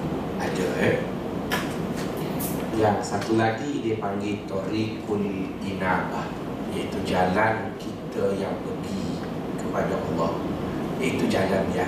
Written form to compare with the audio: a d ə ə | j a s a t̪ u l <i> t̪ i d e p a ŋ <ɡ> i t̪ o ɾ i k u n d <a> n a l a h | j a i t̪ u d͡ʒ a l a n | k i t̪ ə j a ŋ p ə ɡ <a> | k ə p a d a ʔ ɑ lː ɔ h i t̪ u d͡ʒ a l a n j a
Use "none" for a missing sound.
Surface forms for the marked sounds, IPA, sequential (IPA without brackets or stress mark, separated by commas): a, ɡ, i, i